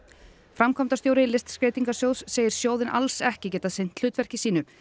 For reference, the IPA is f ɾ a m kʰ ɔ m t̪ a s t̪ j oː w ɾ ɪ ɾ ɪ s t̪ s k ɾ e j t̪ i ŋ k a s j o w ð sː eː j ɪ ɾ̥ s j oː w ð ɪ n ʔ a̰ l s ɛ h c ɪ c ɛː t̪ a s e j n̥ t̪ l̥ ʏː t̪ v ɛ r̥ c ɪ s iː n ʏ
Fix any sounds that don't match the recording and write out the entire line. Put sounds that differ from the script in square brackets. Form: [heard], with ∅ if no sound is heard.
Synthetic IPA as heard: f ɾ a m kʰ ɔ m t̪ a s t̪ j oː w ɾ ɪ [l] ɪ s t̪ s k ɾ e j t̪ i ŋ k a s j o w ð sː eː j ɪ ɾ̥ s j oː w ð ɪ n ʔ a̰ l s ɛ h c ɪ c ɛː t̪ a s e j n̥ t̪ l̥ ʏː t̪ v ɛ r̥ c ɪ s iː n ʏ